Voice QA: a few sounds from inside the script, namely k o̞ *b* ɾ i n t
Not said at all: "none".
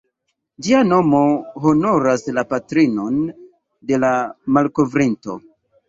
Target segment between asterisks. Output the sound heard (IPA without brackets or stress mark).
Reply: v